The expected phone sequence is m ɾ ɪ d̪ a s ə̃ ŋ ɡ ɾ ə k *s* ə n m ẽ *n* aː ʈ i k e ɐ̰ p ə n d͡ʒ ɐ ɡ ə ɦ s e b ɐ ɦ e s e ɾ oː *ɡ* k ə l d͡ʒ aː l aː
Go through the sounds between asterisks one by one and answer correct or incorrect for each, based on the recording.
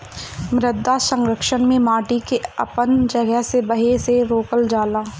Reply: incorrect, incorrect, incorrect

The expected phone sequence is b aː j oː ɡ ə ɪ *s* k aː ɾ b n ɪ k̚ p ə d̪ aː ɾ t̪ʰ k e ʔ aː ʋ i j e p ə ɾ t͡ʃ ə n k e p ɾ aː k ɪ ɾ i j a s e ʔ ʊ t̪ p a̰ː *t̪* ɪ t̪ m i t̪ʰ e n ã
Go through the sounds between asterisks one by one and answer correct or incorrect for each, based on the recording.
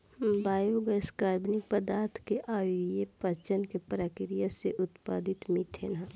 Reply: correct, incorrect

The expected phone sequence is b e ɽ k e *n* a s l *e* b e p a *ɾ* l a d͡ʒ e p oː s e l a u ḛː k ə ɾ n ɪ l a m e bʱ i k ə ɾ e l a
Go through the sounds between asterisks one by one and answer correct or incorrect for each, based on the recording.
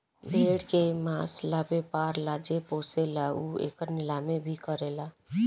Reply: incorrect, incorrect, correct

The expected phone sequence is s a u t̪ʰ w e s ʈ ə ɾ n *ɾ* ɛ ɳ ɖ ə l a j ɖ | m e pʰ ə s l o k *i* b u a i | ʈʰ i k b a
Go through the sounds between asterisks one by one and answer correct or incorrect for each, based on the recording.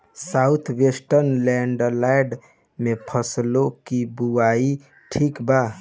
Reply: incorrect, correct

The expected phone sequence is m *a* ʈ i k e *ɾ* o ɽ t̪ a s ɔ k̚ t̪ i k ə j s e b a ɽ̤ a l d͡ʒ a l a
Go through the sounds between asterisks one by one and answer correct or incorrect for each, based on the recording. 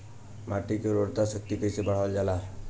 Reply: correct, correct

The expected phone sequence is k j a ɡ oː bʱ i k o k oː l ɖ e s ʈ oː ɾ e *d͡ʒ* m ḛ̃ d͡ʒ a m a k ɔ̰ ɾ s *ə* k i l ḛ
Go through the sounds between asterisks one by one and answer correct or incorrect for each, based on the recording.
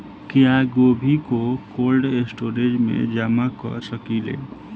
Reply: correct, correct

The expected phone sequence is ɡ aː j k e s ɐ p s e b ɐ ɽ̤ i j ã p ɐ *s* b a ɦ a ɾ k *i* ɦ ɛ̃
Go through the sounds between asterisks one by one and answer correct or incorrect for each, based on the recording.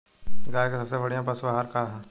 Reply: correct, incorrect

